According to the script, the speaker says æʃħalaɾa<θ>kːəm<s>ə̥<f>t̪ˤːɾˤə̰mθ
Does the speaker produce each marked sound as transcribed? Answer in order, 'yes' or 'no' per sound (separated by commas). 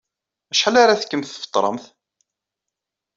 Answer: yes, no, yes